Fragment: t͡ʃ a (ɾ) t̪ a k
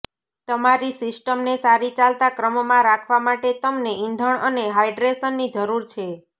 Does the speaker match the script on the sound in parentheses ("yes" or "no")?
no